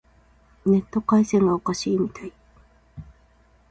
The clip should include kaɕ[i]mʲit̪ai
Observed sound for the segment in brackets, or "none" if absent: iː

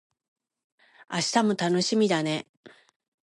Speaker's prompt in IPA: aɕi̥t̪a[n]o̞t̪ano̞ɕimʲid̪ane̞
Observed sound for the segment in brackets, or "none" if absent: m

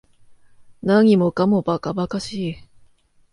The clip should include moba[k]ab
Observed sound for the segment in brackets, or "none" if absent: k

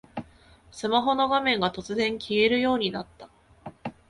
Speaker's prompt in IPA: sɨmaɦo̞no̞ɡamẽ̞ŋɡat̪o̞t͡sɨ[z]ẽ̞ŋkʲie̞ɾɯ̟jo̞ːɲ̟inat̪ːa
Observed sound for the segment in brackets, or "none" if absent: z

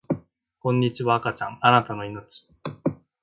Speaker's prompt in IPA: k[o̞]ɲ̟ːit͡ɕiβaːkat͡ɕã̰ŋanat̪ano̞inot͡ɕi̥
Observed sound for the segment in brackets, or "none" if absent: õ̞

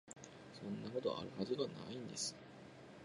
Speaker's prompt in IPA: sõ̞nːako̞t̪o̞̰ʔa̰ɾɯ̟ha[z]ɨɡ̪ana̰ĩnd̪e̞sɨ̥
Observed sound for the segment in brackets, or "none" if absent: z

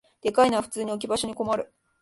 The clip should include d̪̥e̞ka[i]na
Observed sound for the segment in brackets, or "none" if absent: i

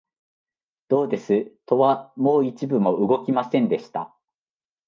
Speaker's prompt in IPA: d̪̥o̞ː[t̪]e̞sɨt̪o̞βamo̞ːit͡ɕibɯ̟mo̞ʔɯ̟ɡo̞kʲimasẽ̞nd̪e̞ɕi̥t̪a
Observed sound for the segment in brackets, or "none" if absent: d̪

